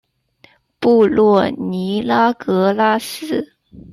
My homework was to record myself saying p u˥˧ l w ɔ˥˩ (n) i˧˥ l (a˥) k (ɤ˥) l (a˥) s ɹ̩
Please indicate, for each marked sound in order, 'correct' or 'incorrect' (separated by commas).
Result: correct, correct, incorrect, correct